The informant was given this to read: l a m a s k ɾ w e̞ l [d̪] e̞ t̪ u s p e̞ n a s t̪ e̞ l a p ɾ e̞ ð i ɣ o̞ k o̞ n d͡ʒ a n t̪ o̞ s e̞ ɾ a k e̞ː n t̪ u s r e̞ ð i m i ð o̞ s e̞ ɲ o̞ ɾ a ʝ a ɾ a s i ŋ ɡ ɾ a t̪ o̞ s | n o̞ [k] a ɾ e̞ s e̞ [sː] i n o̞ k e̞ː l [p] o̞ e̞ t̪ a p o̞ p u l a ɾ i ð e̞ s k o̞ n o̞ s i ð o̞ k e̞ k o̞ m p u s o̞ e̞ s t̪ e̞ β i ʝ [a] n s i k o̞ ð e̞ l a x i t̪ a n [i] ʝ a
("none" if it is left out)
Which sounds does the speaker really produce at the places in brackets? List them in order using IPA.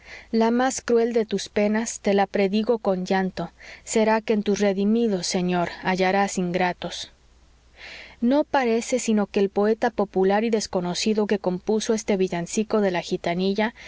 d̪, p, s, p, a, i

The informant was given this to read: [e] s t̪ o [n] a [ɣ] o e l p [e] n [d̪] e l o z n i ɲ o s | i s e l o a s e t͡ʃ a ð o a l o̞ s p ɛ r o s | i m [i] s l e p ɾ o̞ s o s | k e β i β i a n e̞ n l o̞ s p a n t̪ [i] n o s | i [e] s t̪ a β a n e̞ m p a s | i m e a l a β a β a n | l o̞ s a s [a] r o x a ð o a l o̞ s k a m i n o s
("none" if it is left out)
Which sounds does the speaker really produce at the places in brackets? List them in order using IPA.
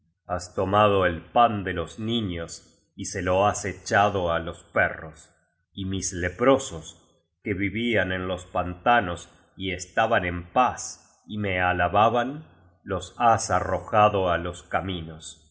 a, m, ð, a, d̪, i, a, e, a

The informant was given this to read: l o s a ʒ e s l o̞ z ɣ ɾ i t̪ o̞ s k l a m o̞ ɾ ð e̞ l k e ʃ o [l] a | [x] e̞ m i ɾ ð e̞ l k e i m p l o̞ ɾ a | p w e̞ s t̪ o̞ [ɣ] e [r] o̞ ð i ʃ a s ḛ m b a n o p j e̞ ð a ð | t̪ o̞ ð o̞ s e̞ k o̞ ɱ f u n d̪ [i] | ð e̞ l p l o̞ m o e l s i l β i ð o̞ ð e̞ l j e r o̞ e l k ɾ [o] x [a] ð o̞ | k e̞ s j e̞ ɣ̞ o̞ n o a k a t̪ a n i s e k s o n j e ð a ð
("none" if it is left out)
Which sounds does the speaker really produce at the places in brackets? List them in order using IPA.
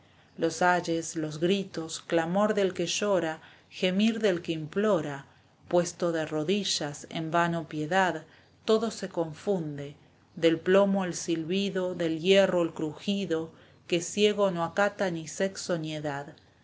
ɾ, x, ð, r, e, u, i

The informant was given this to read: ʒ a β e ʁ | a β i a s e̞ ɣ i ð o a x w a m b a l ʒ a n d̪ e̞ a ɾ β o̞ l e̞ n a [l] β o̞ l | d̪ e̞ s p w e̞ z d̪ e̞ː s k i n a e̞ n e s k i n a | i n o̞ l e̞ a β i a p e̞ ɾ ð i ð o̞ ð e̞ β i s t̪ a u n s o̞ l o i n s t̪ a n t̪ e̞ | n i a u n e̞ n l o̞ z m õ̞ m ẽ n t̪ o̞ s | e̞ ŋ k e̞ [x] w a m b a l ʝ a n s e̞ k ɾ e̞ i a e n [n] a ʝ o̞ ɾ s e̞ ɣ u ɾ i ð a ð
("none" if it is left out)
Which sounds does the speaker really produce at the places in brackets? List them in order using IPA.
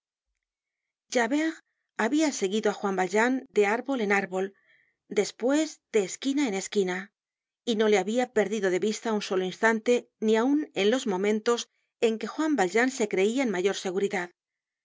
ɾ, x, m

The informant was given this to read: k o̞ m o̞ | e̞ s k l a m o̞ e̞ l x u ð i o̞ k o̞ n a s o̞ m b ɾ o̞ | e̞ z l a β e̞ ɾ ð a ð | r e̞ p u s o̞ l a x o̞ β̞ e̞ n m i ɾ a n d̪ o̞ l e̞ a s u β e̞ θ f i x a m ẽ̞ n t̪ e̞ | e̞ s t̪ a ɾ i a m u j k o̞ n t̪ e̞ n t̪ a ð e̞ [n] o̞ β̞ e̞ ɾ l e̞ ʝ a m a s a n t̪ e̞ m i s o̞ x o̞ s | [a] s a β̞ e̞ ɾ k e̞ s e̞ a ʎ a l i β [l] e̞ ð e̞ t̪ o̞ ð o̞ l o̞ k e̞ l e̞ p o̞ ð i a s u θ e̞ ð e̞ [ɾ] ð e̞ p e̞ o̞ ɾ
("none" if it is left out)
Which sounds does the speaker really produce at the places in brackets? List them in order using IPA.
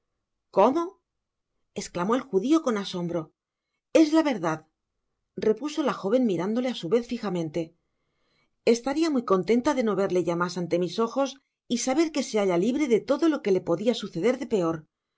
n, i, ɾ, ɾ

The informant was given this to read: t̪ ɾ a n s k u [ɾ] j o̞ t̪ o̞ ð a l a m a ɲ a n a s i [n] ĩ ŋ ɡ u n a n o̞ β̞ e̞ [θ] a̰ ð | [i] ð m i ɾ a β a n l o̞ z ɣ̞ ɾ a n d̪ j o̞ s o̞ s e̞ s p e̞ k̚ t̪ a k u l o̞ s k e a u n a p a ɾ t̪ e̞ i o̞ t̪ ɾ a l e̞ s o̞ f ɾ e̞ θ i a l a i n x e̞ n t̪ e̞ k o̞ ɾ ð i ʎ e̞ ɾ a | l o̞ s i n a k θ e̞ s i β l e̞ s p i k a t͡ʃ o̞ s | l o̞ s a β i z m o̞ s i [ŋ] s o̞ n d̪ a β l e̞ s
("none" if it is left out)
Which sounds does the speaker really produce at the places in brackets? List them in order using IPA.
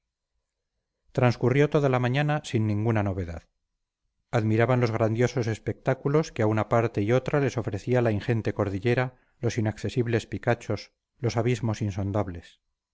r, nː, ð, a, n

